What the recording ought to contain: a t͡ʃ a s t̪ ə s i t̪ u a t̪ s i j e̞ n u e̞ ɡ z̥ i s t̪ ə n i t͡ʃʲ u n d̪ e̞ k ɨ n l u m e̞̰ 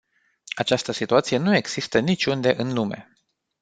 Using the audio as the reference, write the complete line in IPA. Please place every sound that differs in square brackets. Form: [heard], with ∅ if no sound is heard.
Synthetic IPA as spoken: a t͡ʃ a s t̪ ə s i t̪ u a t̪ s i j e̞ n u e̞ ɡ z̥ i s t̪ ə n i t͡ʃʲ u n d̪ e̞ [ʔ] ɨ n l u m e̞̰